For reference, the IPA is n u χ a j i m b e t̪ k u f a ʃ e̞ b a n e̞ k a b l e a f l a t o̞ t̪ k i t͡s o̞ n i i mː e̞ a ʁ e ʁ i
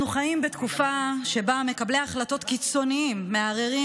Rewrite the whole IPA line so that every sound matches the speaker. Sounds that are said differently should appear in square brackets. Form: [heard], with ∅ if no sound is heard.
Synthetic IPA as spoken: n u χ a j i m b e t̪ k u f a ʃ e̞ b a [m] e̞ k a b l e a [χ] l a t o̞ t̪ k i t͡s o̞ n i i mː e̞ a ʁ e ʁ i